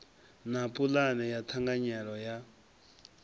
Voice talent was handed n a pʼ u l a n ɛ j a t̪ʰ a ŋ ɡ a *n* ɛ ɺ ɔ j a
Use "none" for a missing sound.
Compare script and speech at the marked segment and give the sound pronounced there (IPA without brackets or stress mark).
ɲ